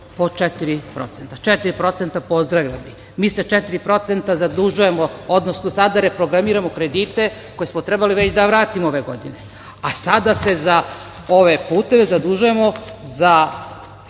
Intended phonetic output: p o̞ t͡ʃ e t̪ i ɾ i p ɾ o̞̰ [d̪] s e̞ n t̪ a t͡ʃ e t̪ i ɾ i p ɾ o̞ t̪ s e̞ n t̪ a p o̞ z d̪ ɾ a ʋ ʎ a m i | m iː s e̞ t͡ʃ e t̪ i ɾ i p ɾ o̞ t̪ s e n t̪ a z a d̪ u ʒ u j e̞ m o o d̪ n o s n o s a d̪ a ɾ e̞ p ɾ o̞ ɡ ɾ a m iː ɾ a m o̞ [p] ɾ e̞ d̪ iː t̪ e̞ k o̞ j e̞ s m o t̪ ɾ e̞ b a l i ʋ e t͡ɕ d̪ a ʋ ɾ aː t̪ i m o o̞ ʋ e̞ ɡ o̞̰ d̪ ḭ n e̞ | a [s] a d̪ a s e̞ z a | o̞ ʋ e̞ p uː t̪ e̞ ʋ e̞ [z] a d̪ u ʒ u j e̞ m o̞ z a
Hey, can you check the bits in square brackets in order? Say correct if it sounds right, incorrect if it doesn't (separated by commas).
incorrect, incorrect, correct, correct